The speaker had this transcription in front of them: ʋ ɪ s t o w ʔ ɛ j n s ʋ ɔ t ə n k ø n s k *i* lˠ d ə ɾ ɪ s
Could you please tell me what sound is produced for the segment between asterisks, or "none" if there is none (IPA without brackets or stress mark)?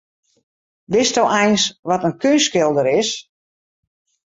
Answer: ɪ